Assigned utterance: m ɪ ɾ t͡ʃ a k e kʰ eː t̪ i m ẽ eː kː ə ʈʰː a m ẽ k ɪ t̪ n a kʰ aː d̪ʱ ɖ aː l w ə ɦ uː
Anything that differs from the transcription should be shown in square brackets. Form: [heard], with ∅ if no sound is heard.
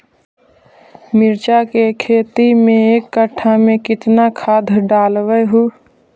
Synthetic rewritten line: m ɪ ɾ t͡ʃ a k e kʰ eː t̪ i m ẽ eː kː ə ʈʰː a m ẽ k ɪ t̪ n a kʰ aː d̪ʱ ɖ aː l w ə ɦ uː